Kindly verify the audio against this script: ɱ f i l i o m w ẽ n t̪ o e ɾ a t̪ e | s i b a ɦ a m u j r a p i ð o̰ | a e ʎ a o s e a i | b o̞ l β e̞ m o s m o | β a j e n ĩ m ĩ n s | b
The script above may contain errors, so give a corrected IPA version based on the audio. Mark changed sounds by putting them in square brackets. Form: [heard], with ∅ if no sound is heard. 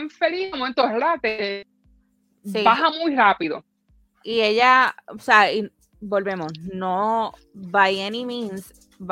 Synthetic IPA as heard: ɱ f [e] l i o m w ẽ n t̪ o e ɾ a t̪ e | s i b a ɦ a m u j r a p i ð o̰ | [i] e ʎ a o s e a i | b o̞ l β e̞ m o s [n] o | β a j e n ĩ m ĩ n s | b